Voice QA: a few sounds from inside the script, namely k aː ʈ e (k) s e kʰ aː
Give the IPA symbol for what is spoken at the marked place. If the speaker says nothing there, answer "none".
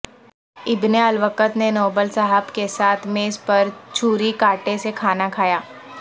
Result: none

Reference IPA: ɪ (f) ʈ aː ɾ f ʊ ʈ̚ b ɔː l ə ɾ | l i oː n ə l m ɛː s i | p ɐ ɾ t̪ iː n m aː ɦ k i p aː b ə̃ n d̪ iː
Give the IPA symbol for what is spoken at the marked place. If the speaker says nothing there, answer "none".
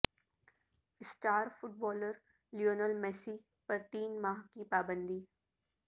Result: s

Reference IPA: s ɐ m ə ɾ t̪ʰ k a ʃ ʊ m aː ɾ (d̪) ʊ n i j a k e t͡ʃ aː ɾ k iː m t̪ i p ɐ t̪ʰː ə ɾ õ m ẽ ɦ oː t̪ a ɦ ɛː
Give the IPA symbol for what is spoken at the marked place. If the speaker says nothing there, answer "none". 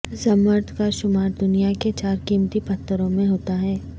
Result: d̪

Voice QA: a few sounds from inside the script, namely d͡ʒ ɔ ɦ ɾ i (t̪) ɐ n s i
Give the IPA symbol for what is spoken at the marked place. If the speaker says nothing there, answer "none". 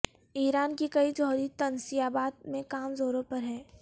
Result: t̪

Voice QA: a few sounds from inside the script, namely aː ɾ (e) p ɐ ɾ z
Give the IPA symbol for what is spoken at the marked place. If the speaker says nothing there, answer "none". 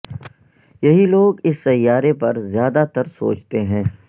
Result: e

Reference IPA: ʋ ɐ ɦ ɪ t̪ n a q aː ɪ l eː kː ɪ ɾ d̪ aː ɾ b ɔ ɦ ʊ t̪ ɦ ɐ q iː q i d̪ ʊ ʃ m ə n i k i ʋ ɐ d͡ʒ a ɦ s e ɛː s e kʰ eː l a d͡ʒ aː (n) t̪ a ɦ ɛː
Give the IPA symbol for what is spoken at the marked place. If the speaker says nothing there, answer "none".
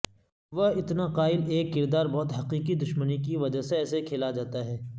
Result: none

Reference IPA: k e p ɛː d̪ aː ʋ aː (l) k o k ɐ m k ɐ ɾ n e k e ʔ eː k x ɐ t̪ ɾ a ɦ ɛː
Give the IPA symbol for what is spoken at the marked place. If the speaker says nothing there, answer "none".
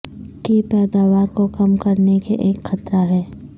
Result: ɾ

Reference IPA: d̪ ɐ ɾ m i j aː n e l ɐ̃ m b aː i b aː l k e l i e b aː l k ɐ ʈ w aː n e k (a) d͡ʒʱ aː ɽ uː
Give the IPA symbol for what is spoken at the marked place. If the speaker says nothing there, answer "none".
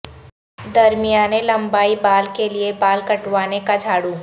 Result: a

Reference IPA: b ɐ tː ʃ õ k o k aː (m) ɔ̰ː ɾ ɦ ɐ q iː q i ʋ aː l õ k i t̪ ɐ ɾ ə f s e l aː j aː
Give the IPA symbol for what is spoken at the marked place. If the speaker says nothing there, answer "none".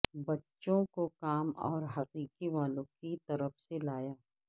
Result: m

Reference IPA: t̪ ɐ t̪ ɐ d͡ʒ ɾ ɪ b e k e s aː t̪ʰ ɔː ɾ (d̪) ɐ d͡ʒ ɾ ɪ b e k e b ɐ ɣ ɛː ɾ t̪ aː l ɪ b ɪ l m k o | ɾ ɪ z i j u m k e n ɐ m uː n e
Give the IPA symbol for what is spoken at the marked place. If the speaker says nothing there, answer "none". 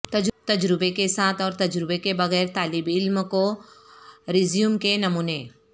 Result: t̪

